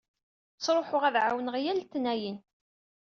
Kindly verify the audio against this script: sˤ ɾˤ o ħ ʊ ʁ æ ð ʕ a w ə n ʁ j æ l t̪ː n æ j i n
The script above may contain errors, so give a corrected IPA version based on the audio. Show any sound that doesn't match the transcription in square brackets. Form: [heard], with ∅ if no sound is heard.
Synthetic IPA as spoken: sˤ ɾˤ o ħ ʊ ʁ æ ð ʕ a w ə n ʁ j æ l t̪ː n æ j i n